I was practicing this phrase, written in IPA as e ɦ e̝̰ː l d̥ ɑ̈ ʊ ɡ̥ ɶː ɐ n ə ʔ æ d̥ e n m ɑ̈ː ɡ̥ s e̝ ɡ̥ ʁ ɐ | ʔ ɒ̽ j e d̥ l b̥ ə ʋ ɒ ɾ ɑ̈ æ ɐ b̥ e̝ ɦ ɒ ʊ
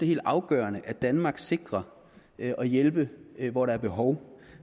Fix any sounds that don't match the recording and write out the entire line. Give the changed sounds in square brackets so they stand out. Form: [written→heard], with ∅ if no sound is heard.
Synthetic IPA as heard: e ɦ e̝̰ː l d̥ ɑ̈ ʊ ɡ̥ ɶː ɐ n ə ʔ æ d̥ [e→æ] n m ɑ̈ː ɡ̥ s e̝ ɡ̥ ʁ ɐ | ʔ ɒ̽ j e [d̥→∅] l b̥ ə ʋ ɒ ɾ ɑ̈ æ ɐ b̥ e̝ ɦ ɒ ʊ

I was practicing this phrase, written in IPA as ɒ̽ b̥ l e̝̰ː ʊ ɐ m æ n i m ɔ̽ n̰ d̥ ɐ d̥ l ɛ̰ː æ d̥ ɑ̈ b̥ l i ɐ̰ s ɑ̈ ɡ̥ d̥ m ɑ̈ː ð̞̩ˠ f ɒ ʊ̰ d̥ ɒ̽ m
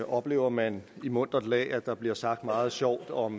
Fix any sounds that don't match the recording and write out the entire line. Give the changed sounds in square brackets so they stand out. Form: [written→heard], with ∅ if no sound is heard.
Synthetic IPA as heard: ɒ̽ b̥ l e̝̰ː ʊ ɐ m æ n i m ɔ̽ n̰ d̥ ɐ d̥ l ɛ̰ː æ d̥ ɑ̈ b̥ l i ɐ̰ s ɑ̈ ɡ̥ d̥ m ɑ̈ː ð̞̩ˠ [f→ɕ] ɒ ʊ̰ d̥ ɒ̽ m

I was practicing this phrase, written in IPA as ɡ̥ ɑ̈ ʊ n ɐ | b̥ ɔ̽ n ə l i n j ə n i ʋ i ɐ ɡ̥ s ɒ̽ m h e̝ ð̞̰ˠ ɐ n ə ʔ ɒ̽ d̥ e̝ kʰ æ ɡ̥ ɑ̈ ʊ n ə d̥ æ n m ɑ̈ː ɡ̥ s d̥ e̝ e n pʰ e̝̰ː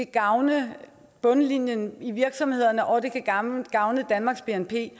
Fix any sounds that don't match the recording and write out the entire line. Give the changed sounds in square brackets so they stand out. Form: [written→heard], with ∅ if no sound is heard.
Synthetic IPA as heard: ɡ̥ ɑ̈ ʊ n [ɐ→ə] | b̥ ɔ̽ n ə l i n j ə n i ʋ i ɐ ɡ̥ s ɒ̽ m h e̝ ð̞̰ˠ ɐ n ə ʔ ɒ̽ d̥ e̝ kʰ æ ɡ̥ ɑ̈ ʊ n ə d̥ æ n m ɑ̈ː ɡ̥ s [d̥→b̥] e̝ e n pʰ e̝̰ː

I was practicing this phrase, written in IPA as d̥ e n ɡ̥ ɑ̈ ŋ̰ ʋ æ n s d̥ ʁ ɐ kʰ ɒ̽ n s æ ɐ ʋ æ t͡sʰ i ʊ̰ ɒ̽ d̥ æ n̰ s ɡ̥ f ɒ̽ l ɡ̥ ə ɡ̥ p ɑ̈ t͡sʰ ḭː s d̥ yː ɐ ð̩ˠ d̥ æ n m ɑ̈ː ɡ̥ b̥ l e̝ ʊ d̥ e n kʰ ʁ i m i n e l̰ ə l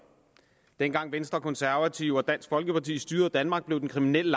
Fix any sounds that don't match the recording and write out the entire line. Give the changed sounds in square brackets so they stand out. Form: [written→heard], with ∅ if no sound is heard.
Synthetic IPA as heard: d̥ e n ɡ̥ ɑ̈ ŋ̰ ʋ [æ→e] n s d̥ ʁ ɐ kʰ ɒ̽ n s æ ɐ ʋ æ t͡sʰ i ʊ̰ ɒ̽ d̥ æ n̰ s ɡ̥ f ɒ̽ l ɡ̥ ə [ɡ̥→∅] p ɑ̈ t͡sʰ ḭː s d̥ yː ɐ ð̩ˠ d̥ æ n m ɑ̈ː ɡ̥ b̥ l e̝ ʊ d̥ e n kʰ ʁ i m i n e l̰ ə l

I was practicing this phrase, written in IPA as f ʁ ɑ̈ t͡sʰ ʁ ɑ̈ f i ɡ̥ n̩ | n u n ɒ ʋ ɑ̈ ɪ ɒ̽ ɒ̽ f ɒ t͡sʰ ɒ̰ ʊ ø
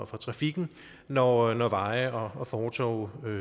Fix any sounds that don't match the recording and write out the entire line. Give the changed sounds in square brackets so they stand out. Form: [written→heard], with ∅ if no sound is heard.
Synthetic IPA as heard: f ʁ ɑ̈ t͡sʰ ʁ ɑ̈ f i ɡ̥ n̩ | n [u→ɒ] n ɒ ʋ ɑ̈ ɪ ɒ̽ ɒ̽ f [ɒ→ɒː] t͡sʰ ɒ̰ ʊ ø

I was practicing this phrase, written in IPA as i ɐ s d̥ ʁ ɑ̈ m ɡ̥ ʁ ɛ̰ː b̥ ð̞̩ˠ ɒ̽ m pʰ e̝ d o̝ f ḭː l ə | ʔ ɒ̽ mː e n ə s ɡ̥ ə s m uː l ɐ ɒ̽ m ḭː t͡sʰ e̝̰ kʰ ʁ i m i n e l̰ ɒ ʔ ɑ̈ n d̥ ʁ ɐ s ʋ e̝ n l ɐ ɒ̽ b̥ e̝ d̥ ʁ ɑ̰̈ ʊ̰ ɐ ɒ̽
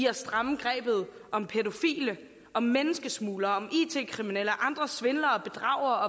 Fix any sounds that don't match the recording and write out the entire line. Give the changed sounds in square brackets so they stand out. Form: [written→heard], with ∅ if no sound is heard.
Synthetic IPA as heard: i ɐ s d̥ ʁ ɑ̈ m ɡ̥ ʁ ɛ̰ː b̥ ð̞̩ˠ ɒ̽ m pʰ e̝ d o̝ f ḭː l ə | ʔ ɒ̽ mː e n ə s ɡ̥ ə s m uː l ɐ ɒ̽ m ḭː t͡sʰ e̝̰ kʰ ʁ i m i n e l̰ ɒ ʔ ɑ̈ n d̥ ʁ ɐ s ʋ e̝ n l ɐ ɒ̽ b̥ e̝ d̥ ʁ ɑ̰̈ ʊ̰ ɐ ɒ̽

